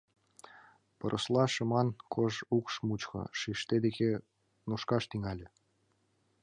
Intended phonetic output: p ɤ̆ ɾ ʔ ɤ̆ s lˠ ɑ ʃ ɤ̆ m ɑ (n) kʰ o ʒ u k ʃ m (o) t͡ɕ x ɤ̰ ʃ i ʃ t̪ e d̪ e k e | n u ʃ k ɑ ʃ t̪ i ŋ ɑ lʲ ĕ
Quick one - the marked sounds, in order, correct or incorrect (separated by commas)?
correct, incorrect